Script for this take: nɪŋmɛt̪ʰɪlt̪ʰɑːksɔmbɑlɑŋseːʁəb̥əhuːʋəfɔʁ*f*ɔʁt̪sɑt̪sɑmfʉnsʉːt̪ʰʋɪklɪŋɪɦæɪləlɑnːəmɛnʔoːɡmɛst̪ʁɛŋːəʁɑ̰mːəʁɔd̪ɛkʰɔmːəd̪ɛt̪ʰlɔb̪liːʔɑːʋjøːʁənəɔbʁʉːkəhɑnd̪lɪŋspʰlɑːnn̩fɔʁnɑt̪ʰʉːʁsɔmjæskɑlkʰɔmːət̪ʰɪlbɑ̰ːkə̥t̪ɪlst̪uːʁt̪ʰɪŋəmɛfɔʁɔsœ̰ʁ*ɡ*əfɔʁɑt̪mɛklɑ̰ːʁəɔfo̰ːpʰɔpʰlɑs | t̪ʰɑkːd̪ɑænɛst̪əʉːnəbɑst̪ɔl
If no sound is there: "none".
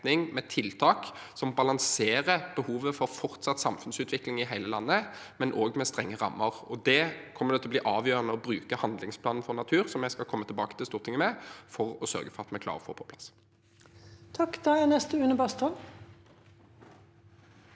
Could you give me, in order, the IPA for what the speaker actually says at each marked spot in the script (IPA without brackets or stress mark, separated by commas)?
f, ɡ